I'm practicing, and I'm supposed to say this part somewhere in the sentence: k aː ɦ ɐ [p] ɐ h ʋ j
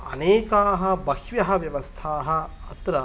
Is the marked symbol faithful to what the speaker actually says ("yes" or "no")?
no